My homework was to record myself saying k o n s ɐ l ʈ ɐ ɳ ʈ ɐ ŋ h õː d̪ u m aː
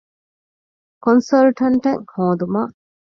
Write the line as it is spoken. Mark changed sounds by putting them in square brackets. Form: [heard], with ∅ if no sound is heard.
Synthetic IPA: k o n s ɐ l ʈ ɐ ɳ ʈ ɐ ŋ h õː d̪ u m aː